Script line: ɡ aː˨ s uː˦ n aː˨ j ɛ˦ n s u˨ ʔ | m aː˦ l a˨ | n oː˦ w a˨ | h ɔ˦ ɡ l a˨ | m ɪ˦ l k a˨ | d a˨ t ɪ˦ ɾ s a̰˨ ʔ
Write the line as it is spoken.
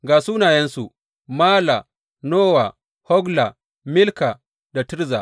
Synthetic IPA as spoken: ɡ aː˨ s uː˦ n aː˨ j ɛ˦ n s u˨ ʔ | m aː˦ l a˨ | n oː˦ w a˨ | h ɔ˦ ɡ l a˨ | m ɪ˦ l k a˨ | d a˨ t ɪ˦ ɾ z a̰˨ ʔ